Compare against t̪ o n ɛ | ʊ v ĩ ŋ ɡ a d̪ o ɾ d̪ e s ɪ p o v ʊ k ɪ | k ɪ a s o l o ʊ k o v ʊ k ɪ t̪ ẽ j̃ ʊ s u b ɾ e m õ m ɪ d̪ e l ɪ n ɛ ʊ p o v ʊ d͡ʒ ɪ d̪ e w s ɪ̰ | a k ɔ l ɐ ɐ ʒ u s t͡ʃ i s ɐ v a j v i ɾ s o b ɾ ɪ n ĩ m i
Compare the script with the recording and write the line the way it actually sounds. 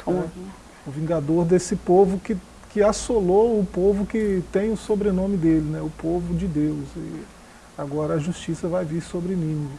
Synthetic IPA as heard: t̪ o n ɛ | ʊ v ĩ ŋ ɡ a d̪ o ɾ d̪ e s ɪ p o v ʊ k ɪ | k ɪ a s o l o ʊ p o v ʊ k ɪ t̪ ẽ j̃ ʊ s o b ɾ e n õ m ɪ d̪ e l ɪ n ɛ ʊ p o v ʊ d͡ʒ ɪ d̪ e w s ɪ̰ | a ɡ ɔ ɾ ɐ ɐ ʒ u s t͡ʃ i s ɐ v a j v i ɾ s o b ɾ ɪ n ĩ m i